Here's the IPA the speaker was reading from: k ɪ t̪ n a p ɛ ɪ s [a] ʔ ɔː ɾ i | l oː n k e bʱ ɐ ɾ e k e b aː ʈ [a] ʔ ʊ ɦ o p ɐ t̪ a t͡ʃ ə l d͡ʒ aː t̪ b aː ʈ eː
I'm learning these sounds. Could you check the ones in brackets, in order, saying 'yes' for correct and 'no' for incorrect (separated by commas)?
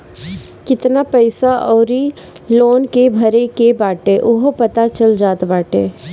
yes, no